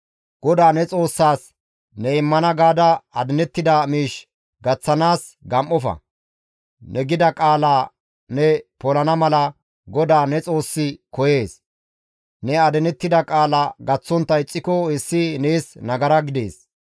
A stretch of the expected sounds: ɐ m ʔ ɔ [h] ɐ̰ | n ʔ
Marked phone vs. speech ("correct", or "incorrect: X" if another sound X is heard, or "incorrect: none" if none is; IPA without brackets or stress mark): incorrect: f